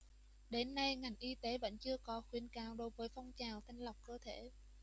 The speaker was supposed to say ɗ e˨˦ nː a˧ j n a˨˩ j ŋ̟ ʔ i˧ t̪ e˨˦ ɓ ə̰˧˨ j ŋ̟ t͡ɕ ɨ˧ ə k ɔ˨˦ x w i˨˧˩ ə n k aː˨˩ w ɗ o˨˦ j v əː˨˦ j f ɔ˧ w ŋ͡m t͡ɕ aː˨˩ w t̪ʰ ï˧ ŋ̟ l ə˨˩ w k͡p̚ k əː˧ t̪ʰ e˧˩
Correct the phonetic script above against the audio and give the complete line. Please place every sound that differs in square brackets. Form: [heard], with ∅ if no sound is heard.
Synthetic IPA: ɗ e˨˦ nː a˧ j [ŋ] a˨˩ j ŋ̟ ʔ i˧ t̪ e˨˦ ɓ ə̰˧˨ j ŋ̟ t͡ɕ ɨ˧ ə k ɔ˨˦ x w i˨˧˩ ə n k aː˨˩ w ɗ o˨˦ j v əː˨˦ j f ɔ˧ w ŋ͡m t͡ɕ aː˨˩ w t̪ʰ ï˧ ŋ̟ l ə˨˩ w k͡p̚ k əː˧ t̪ʰ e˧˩